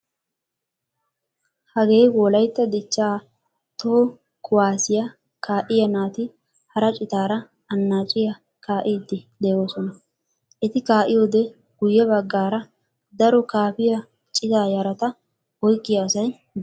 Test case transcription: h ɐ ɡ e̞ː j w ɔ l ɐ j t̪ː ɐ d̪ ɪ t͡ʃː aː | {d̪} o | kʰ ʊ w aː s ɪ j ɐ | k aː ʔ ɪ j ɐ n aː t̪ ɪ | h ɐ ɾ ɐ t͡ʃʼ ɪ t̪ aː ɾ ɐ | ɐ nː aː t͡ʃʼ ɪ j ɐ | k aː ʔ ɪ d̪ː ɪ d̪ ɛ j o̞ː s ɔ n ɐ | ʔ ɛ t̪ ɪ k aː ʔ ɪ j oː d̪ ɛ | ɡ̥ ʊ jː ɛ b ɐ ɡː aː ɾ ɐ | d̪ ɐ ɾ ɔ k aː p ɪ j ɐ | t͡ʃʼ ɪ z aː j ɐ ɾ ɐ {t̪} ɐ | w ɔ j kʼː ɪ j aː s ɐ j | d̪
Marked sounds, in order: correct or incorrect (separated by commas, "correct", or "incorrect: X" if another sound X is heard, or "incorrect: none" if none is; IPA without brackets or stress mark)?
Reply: incorrect: t̪, correct